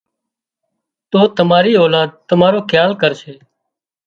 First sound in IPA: t̪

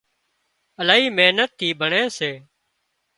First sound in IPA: ə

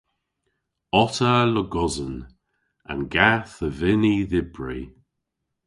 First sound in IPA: ɔ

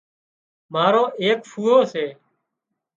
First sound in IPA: m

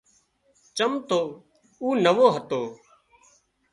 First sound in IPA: t͡ʃ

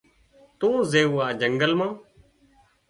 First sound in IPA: t̪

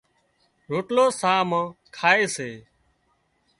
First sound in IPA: ɾ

